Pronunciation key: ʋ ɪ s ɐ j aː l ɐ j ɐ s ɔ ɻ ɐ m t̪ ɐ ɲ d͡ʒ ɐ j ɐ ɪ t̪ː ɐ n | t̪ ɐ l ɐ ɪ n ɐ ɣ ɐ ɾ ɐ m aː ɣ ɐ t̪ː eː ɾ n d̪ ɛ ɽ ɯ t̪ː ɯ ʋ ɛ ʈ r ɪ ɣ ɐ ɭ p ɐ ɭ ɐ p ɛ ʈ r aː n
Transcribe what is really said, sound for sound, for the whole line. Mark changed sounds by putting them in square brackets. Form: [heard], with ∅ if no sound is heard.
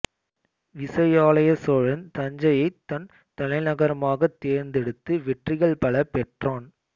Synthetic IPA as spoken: ʋ ɪ s ɐ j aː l ɐ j ɐ s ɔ ɻ ɐ [n] t̪ ɐ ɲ d͡ʒ ɐ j ɐ ɪ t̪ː ɐ n | t̪ ɐ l ɐ ɪ n ɐ ɣ ɐ ɾ ɐ m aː ɣ ɐ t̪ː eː ɾ n d̪ ɛ ɽ ɯ t̪ː ɯ ʋ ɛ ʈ r ɪ ɣ ɐ ɭ p ɐ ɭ ɐ p ɛ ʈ r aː n